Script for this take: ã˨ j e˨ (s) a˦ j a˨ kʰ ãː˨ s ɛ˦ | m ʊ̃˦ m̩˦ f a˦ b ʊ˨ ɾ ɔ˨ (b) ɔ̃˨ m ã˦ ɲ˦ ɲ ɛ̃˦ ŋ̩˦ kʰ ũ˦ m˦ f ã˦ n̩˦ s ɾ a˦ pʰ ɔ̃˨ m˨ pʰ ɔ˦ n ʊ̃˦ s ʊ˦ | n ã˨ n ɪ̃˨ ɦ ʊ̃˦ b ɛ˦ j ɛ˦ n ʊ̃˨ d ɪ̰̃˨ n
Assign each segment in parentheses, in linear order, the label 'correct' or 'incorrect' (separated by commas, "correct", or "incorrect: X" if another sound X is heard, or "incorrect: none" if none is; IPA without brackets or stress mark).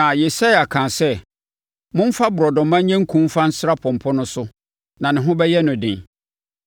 correct, incorrect: d